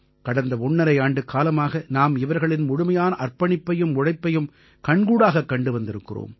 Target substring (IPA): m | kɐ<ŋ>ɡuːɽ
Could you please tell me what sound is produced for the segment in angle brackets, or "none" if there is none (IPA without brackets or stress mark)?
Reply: ɳ